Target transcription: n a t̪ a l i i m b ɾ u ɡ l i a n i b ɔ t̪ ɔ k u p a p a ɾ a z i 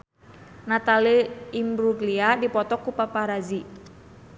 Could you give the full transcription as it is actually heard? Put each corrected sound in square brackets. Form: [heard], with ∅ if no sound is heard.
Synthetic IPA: n a t̪ a l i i m b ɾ u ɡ l i a [d] i [p] ɔ t̪ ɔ k u p a p a ɾ a z i